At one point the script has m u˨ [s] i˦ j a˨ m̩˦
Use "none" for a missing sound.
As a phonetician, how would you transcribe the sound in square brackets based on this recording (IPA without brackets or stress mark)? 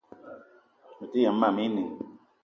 t